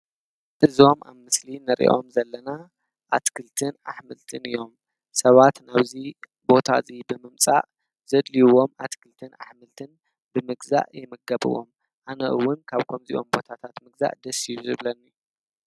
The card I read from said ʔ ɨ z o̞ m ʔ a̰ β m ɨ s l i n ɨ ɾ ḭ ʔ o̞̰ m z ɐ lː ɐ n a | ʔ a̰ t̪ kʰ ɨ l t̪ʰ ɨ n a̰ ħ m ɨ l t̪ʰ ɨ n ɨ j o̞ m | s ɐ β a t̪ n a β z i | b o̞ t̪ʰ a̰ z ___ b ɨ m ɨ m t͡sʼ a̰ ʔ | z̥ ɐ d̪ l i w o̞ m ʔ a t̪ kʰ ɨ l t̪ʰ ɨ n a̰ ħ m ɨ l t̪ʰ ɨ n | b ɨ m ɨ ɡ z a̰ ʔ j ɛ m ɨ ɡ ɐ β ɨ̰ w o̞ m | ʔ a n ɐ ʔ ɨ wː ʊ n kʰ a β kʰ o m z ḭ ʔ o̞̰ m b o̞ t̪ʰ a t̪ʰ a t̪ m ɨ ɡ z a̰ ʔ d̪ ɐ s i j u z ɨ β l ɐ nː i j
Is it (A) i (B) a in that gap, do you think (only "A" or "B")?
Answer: A